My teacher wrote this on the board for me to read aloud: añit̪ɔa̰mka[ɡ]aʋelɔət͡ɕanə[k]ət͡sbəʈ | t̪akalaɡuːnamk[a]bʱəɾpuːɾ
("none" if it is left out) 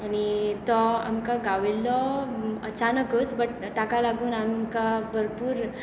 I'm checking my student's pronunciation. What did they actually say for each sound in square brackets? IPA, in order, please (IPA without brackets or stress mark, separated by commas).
ɡ, k, a